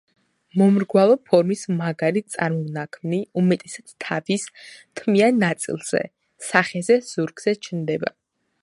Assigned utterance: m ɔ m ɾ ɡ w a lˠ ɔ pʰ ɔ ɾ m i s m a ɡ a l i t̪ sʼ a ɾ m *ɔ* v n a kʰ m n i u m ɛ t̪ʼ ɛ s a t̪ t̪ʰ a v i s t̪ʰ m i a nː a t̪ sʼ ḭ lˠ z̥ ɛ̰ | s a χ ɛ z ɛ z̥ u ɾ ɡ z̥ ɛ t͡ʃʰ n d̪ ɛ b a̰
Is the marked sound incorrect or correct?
correct